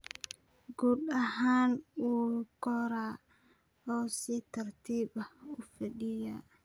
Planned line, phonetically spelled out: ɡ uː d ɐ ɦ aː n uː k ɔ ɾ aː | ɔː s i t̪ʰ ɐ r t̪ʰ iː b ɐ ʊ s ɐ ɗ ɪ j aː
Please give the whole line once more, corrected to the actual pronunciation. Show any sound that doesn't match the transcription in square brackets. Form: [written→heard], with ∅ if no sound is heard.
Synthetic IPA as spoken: ɡ uː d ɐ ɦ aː n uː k ɔ ɾ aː | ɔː s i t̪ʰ ɐ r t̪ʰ iː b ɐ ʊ [s→f] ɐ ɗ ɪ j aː